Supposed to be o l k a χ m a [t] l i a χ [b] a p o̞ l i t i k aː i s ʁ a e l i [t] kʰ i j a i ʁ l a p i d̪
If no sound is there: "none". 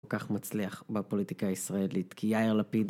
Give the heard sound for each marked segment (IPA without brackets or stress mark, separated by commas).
t͡s, b, t